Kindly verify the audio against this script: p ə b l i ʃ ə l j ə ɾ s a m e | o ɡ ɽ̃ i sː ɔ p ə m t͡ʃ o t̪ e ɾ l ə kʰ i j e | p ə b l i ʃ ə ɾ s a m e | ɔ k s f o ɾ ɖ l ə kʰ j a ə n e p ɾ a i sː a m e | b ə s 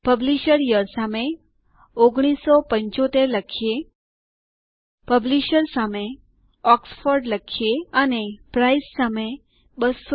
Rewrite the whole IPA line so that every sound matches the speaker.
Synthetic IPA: p ə b l i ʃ ə ɾ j ə ɾ s a m e | o ɡ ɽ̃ i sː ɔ p ə ɲ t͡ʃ o t̪ e ɾ l ə kʰ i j e | p ə b l i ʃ ə ɾ s a m e | ɔ k s f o ɾ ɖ l ə kʰ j e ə n e p ɾ a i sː a m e | b ə s

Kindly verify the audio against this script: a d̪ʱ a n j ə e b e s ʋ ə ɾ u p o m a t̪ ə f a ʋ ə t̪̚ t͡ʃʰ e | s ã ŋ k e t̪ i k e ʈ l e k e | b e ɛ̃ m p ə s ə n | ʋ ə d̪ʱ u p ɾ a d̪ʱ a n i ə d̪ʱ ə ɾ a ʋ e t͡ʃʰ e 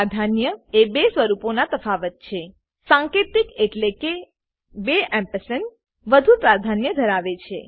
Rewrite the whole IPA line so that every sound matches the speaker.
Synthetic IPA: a d̪ʱ a n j ə e b e s ʋ ə ɾ u p o n a t̪ ə f a ʋ ə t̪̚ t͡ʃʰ e | s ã ŋ k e t̪ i k e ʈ l e k e | b e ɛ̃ m p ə s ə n | ʋ ə d̪ʱ u p ɾ a d̪ʱ a n j ə d̪ʱ ə ɾ a ʋ e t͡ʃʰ e

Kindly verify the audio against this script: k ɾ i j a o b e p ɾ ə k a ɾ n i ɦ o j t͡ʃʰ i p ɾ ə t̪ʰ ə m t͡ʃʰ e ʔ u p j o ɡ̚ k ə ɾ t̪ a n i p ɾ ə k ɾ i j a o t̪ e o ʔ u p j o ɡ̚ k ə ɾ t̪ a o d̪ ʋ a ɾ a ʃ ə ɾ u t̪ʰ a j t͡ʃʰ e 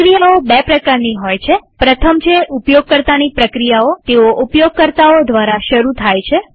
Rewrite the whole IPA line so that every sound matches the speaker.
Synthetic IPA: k ɾ i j a o b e p ɾ ə k a ɾ n i ɦ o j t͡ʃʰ e p ɾ ə t̪ʰ ə m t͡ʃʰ e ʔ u p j o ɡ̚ k ə ɾ t̪ a n i p ɾ ə k ɾ i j a o t̪ e o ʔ u p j o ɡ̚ k ə ɾ t̪ a o d̪ ʋ a ɾ a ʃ ə ɾ u t̪ʰ a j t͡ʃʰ e

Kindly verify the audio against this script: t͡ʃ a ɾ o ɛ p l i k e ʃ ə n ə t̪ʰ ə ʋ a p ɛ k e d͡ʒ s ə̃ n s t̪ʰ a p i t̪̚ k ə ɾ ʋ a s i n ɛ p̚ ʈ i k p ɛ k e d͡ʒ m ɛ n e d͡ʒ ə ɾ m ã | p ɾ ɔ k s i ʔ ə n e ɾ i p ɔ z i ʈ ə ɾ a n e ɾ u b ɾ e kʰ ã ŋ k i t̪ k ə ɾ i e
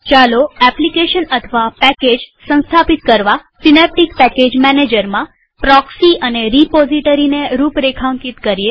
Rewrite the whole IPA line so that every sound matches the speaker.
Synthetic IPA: t͡ʃ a l o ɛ p l i k e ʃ ə n ə t̪ʰ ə ʋ a p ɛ k e d͡ʒ s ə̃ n s t̪ʰ a p i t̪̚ k ə ɾ ʋ a s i n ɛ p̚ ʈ i k p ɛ k e d͡ʒ m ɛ n e d͡ʒ ə ɾ m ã | p ɾ ɔ k s i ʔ ə n e ɾ i p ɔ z i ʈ ə ɾ i n e ɾ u p ɾ e kʰ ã ŋ k i t̪ k ə ɾ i e

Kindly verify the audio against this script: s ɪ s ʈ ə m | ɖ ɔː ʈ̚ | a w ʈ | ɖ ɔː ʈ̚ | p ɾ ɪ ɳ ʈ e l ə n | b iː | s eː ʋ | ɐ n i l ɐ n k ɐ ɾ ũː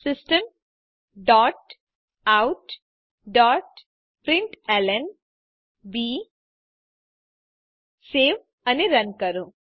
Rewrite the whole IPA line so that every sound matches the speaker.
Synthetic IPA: s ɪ s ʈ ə m | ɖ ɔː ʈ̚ | a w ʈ | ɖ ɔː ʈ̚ | p ɾ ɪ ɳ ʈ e l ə n | b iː | s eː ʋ | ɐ n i ɾ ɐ n k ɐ ɾ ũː

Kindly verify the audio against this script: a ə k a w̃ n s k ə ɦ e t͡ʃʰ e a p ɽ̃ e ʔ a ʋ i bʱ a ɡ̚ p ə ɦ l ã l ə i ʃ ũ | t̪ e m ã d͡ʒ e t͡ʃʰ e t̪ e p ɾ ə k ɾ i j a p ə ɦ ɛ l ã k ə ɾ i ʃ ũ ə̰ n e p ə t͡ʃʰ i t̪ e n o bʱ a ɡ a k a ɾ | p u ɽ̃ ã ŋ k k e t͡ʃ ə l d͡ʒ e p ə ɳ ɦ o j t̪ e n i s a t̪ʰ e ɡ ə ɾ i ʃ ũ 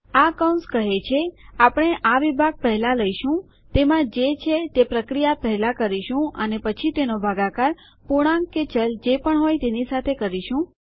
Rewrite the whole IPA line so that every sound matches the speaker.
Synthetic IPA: a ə k a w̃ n s k ə ɦ e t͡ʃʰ e a p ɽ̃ e ʔ a ʋ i bʱ a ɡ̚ p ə ɦ l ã l ə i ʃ ũ | t̪ e m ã d͡ʒ e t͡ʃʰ e t̪ e p ɾ ə k ɾ i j a p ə ɦ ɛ l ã k ə ɾ i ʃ ũ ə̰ n e p ə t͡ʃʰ i t̪ e n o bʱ a ɡ a k a ɾ | p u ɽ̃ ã ŋ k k e t͡ʃ ə l d͡ʒ e p ə ɳ ɦ o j t̪ e n i s a t̪ʰ e k ə ɾ i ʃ ũ

